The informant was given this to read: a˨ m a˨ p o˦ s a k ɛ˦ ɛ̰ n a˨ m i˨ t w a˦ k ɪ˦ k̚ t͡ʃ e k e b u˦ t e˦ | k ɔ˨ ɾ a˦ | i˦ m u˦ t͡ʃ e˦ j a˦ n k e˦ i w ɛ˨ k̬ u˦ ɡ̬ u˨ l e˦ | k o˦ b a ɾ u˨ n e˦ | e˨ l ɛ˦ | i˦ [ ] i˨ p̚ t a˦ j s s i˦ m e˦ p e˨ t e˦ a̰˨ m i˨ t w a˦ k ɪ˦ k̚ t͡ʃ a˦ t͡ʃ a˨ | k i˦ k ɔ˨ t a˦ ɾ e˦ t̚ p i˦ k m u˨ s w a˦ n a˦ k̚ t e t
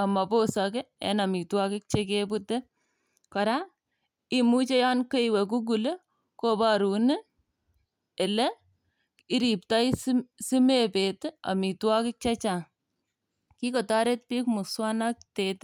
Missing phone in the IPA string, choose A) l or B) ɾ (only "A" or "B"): B